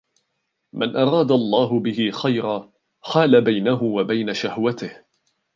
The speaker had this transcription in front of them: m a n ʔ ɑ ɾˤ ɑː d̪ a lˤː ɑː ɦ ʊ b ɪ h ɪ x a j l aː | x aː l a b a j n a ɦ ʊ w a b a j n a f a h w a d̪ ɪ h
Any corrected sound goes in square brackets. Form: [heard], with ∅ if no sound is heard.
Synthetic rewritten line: m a n ʔ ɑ ɾˤ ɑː d̪ a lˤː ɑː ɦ ʊ b ɪ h ɪ x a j [ɾ] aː | x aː l a b a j n a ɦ ʊ w a b a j n a [ʃ] a h w a [t̪] ɪ h